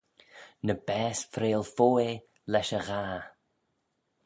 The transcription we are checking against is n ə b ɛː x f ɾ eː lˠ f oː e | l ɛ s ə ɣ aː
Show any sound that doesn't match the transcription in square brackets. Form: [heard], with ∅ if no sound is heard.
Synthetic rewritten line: n ə b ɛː [s] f ɾ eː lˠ f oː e | l ɛ [ʃ] ə ɣ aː